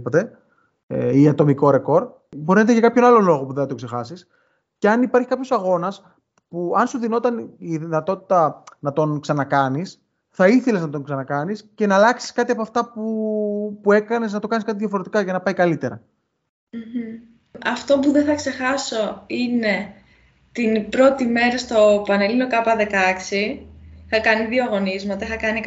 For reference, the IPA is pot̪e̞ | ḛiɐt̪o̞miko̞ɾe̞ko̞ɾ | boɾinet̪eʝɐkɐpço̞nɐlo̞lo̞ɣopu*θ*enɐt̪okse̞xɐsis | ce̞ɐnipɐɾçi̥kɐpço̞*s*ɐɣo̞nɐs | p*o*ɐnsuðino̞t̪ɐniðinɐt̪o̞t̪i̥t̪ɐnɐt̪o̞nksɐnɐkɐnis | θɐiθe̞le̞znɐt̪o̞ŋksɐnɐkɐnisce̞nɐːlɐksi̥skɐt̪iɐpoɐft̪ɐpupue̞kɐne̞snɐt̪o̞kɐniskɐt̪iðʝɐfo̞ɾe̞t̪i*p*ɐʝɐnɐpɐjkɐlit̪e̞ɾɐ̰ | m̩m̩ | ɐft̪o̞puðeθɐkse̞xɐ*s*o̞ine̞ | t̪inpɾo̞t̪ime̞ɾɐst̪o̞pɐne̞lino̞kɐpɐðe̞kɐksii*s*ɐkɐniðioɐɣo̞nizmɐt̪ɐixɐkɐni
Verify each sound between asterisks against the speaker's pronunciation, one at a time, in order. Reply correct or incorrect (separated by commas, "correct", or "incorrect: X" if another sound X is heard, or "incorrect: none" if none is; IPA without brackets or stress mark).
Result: incorrect: ð, correct, incorrect: u, incorrect: k, correct, incorrect: x